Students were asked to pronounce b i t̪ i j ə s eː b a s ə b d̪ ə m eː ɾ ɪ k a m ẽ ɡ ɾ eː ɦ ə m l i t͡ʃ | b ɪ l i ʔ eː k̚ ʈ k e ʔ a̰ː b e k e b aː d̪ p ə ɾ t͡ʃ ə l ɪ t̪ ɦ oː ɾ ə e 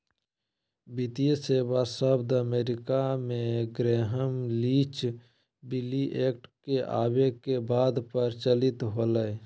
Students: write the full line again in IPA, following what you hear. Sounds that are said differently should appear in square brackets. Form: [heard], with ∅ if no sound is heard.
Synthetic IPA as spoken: b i t̪ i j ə s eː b a s ə b d̪ ə m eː ɾ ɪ k a m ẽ ɡ ɾ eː ɦ ə m l i t͡ʃ | b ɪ l i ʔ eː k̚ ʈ k e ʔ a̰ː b e k e b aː d̪ p ə ɾ t͡ʃ ə l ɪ t̪ ɦ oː [l] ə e